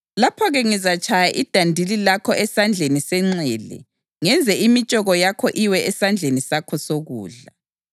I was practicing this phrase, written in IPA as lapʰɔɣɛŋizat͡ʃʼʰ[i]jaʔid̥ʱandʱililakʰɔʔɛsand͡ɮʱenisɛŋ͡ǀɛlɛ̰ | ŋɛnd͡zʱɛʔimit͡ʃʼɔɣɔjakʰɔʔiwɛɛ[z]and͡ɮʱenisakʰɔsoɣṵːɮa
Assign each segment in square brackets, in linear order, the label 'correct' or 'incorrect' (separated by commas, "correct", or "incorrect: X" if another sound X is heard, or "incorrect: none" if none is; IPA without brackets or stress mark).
incorrect: a, incorrect: s